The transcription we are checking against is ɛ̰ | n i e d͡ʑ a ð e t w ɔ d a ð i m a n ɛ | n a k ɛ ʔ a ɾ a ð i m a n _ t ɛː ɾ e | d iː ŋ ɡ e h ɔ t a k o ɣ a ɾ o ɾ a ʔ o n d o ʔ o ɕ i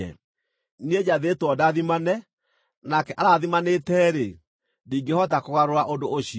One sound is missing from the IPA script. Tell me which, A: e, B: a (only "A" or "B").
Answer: A